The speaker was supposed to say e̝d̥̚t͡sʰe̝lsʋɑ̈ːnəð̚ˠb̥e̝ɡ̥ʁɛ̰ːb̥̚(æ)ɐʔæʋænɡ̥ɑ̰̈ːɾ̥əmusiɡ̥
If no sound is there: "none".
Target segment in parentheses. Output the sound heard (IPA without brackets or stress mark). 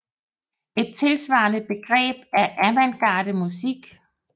æ